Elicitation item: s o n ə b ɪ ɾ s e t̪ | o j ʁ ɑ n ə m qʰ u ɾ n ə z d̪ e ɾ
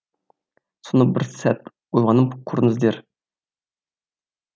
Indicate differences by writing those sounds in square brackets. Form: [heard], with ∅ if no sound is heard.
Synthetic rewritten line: s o n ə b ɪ ɾ s [æ] t̪ | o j ʁ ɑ n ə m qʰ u ɾ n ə z d̪ e ɾ